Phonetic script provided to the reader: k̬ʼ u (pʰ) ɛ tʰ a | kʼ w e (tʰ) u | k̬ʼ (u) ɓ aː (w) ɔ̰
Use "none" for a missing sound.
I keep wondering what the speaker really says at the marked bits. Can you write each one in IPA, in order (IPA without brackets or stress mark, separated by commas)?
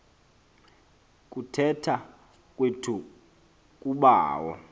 tʰ, tʰ, u, w